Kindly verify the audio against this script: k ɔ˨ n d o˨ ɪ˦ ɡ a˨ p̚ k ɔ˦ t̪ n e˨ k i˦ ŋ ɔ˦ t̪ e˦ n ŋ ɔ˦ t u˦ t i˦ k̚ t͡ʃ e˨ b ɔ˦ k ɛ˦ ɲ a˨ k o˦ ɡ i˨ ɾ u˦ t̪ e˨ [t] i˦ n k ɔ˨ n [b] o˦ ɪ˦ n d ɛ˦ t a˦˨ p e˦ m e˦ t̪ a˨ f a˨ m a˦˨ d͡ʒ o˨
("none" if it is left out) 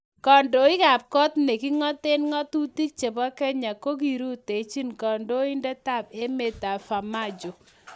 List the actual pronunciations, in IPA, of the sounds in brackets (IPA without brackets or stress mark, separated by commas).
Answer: t͡ʃ, d